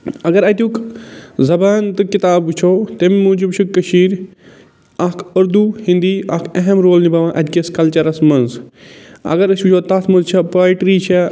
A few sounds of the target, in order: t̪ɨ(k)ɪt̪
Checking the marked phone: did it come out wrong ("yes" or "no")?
no